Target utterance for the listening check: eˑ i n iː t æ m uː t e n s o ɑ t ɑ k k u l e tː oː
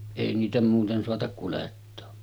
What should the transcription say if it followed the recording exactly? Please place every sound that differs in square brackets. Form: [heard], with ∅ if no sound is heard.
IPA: eˑ i n iː t æ m uː t e n s o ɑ t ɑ k k u l e tː oː